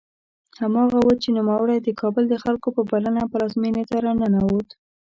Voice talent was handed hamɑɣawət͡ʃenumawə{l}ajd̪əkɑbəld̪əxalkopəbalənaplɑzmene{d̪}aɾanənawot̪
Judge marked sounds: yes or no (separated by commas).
no, no